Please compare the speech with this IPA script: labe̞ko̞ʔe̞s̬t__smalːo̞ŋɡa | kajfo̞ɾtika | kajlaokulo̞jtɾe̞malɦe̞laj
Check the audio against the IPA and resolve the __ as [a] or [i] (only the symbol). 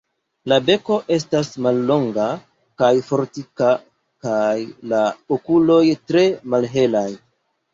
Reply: a